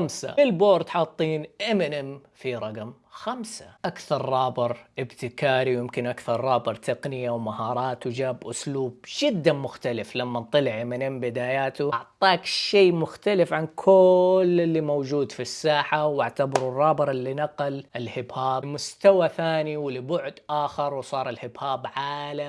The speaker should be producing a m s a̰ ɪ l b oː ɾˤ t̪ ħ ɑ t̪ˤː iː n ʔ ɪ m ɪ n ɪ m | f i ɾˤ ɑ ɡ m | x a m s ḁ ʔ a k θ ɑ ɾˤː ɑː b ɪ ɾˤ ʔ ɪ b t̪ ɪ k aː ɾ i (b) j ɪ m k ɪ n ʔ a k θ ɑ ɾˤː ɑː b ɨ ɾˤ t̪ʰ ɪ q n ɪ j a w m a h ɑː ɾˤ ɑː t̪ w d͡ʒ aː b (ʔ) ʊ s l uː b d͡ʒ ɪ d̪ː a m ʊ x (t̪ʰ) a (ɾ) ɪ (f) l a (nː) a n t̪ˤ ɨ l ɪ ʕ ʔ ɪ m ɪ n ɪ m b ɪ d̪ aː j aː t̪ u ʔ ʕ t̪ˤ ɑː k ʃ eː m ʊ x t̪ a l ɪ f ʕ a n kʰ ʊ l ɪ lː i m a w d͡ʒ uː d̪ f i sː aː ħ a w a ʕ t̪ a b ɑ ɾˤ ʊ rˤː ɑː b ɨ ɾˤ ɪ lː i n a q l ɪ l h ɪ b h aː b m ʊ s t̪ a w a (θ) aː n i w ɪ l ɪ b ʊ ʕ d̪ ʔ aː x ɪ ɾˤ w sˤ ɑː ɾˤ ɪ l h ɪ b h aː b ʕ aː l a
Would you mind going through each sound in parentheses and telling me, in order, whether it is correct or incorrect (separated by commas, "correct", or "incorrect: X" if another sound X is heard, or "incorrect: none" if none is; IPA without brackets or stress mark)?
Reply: incorrect: w, correct, incorrect: t̪, incorrect: l, correct, incorrect: mː, correct